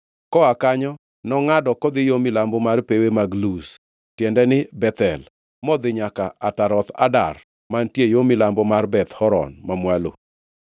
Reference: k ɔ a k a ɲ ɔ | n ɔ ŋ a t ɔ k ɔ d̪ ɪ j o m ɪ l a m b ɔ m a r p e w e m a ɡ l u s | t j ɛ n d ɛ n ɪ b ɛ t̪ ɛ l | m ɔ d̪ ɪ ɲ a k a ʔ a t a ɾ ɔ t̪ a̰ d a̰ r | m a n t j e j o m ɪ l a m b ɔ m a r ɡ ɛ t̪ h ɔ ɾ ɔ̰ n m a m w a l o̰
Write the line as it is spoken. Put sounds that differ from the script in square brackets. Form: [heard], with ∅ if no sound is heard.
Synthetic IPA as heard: k ɔ a k a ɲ ɔ | n ɔ ŋ a [d] ɔ k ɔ d̪ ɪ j o m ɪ l a m b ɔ m a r p e w e m a ɡ l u s | t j ɛ n d ɛ n ɪ b ɛ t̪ ɛ l | m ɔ d̪ ɪ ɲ a k a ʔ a t a ɾ ɔ t̪ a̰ d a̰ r | m a n t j e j o m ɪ l a m b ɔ m a r [b] ɛ t̪ h ɔ ɾ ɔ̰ n m a m w a l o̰